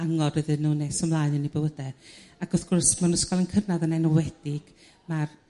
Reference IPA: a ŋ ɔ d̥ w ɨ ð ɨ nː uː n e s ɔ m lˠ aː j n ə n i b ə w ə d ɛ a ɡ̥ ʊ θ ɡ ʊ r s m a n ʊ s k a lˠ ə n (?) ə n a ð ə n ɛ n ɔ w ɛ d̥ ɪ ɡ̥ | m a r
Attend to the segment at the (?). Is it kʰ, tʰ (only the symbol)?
kʰ